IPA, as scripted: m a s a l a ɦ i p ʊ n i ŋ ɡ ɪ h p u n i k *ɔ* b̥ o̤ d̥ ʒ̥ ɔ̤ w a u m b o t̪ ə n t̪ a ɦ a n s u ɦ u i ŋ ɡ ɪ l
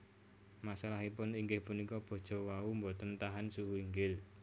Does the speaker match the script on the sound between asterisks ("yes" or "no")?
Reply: yes